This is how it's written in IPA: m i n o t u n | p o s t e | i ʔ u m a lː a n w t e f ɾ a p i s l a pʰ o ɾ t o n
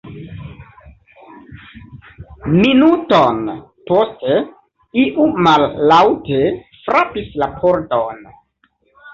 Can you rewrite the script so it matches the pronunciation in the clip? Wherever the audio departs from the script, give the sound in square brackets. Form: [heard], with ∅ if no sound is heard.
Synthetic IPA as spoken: m i n [u] t [o] n | p o s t e | i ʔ u m a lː a [∅] w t e f ɾ a p i s l a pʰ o ɾ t o n